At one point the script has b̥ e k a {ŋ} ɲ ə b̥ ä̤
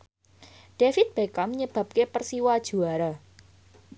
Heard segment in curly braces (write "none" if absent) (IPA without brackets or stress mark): m